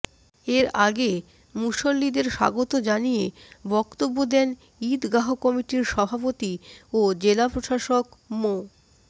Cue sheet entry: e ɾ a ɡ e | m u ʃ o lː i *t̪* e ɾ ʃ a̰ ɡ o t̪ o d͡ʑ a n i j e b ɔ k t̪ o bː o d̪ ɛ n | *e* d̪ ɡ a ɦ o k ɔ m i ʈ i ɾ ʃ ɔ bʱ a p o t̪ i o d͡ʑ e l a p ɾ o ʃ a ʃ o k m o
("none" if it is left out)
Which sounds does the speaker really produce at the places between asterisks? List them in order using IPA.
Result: d̪, i

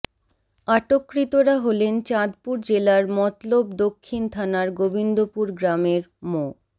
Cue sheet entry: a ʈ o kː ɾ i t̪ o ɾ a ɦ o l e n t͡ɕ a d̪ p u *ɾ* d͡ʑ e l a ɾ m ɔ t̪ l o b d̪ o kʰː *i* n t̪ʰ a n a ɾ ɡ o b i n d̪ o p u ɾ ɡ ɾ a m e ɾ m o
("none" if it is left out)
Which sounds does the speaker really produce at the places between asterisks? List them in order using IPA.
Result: ɾ, i

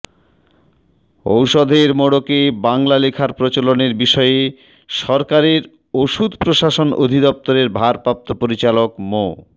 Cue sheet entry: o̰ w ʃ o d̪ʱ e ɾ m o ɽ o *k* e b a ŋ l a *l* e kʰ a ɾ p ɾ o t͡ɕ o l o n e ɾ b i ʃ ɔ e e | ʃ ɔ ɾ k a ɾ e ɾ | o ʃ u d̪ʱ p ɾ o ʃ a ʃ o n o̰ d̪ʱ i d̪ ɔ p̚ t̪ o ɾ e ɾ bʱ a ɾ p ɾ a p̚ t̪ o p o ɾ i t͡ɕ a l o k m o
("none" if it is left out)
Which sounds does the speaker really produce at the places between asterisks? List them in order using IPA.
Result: k, l

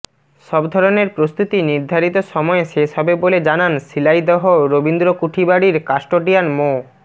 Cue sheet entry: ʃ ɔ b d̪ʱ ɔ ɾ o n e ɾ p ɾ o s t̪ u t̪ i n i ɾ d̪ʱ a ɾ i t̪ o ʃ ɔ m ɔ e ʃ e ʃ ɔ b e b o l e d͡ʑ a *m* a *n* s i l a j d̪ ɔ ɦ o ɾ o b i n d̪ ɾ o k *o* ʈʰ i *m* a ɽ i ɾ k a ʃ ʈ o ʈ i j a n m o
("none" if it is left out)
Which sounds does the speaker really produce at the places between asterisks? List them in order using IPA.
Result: n, n, u, b

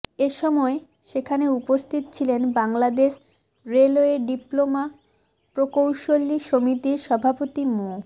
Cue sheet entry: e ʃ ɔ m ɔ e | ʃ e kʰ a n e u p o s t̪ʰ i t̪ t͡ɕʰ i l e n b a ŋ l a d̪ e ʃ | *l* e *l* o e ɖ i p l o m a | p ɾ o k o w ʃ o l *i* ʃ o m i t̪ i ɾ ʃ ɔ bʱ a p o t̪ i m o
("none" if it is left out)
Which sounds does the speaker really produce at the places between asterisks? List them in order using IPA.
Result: ɾ, l, i

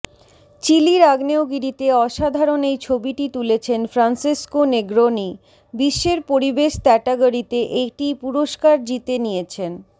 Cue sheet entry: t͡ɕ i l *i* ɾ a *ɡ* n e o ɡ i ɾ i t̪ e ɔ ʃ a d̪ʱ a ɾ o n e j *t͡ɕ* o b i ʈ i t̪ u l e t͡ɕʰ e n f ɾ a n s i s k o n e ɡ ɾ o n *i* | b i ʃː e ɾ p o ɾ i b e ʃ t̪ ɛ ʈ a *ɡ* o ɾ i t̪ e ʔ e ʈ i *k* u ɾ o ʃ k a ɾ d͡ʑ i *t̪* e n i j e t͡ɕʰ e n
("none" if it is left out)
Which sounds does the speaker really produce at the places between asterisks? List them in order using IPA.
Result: i, ɡ, t͡ɕʰ, i, ɡ, p, t̪

